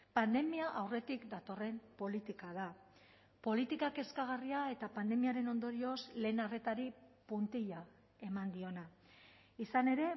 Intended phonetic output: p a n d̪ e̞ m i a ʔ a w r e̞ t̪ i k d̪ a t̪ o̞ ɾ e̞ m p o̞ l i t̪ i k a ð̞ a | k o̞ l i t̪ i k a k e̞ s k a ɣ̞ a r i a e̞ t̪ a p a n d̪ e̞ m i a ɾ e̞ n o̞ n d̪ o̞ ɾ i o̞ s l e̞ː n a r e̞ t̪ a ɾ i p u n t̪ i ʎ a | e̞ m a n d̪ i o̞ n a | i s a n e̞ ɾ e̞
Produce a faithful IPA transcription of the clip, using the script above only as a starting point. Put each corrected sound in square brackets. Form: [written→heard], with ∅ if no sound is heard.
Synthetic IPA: p a n d̪ e̞ m i a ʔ a w r e̞ t̪ i k d̪ a t̪ o̞ [ɾ→r] e̞ m p o̞ l i t̪ i k a ð̞ a | [k→p] o̞ l i t̪ i k a k e̞ s k a ɣ̞ a r i a e̞ t̪ a p a n d̪ e̞ m i a ɾ e̞ n o̞ n d̪ o̞ ɾ i o̞ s l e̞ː n a r e̞ t̪ a ɾ i p u n t̪ i ʎ a | e̞ m a n d̪ i o̞ n a | i s a n e̞ ɾ e̞